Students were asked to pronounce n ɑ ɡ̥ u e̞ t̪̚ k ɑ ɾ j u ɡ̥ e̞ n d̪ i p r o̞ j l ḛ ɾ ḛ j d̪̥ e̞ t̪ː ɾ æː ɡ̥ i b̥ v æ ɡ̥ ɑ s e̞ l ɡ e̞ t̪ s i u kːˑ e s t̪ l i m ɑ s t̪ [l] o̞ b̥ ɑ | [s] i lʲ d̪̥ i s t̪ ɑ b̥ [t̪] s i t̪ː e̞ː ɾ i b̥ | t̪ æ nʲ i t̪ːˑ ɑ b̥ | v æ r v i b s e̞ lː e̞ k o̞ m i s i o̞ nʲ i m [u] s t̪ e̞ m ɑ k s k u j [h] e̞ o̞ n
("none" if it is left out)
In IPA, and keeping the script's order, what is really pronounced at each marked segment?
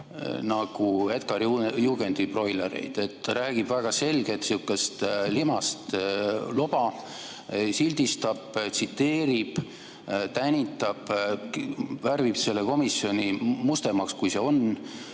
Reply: l, s, t̪, u, s

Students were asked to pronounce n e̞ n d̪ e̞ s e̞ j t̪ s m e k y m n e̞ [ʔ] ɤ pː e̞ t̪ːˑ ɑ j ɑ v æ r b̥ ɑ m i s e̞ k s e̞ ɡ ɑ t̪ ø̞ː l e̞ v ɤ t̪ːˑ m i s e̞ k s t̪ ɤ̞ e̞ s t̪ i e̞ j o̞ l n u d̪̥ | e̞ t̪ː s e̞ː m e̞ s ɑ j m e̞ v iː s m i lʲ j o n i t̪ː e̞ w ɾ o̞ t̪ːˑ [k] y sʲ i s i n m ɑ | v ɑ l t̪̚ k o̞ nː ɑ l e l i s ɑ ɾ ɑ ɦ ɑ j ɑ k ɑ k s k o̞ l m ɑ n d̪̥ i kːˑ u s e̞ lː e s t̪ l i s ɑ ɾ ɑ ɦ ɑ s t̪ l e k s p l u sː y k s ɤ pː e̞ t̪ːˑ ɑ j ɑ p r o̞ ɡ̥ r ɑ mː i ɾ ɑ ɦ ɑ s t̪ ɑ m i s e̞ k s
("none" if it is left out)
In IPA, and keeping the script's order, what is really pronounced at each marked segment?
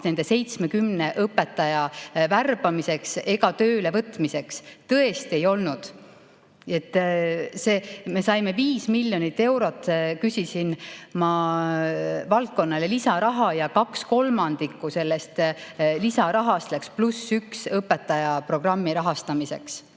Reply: ʔ, k

